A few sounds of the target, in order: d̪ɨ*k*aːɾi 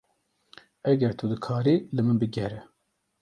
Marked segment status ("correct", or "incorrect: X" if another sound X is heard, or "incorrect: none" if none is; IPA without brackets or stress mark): incorrect: kʰ